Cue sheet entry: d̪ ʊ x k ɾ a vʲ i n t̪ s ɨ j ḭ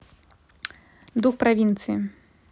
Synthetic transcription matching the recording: d̪ u x p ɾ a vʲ i n t̪ s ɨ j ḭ